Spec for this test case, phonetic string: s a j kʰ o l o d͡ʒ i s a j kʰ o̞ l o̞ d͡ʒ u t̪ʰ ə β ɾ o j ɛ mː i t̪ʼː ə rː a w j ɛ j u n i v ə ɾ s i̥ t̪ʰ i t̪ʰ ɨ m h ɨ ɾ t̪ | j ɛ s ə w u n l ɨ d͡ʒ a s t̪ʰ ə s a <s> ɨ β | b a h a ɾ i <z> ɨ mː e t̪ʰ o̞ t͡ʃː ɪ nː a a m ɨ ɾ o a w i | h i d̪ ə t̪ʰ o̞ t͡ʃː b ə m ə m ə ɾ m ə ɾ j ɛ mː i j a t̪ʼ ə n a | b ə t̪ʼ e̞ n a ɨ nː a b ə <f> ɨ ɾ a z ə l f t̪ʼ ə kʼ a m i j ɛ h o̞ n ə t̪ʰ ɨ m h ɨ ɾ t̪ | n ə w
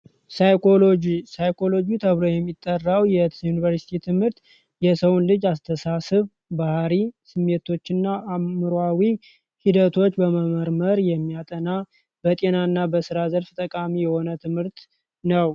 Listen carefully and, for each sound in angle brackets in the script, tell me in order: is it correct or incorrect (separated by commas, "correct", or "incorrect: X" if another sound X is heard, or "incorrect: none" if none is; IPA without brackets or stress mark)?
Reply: correct, incorrect: s, incorrect: s